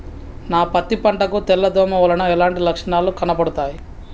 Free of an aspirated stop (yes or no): yes